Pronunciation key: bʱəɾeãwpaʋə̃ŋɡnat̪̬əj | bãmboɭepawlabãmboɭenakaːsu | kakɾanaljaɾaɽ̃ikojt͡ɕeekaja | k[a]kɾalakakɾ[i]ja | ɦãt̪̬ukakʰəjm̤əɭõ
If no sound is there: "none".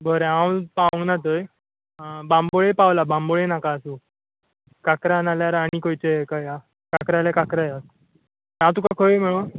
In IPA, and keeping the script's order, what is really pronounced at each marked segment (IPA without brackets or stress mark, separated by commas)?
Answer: a, a